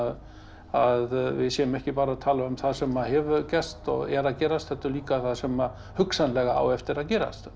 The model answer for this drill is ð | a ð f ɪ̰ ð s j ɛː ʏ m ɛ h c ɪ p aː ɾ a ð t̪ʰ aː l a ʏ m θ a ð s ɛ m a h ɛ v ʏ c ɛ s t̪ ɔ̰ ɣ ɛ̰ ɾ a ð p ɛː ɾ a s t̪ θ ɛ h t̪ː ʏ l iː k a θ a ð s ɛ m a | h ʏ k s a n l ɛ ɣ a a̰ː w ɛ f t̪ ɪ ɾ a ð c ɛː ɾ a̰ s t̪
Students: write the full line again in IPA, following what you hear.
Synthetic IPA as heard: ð | a ð v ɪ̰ ð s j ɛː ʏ m ɛ h c ɪ p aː ɾ a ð t̪ʰ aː l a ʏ m θ a ð s ɛ m a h ɛ v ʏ c ɛ s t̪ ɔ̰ ɣ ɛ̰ ɾ a ð c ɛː ɾ a s t̪ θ ɛ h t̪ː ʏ l iː k a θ a ð s ɛ m a | h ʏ k s a n l ɛ ɣ a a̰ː w ɛ f t̪ ɪ ɾ a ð c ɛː ɾ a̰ s t̪